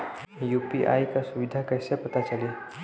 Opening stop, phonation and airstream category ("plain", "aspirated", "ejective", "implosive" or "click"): plain